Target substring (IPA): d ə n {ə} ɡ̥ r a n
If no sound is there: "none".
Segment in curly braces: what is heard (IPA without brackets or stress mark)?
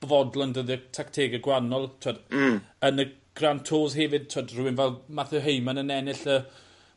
ə